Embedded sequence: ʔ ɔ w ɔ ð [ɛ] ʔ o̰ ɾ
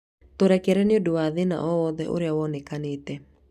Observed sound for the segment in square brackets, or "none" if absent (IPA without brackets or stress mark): ɛ